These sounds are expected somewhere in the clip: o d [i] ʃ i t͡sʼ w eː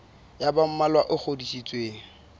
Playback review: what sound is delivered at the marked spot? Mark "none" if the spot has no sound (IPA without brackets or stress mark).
i